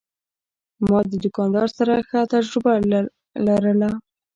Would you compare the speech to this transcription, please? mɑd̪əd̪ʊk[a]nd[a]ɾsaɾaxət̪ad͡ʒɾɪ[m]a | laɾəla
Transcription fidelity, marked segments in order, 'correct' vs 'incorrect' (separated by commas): incorrect, incorrect, incorrect